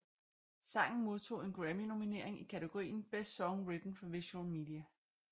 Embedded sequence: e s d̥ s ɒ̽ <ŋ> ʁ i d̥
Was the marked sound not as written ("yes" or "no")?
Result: no